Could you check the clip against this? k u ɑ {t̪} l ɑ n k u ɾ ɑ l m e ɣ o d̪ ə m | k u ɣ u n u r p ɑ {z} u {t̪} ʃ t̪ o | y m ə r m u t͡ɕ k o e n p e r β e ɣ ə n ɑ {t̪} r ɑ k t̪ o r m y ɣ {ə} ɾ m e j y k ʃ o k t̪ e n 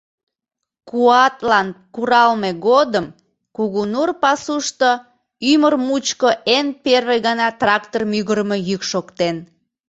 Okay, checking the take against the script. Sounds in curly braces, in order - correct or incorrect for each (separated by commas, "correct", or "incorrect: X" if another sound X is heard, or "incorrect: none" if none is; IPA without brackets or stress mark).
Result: correct, incorrect: s, incorrect: none, correct, correct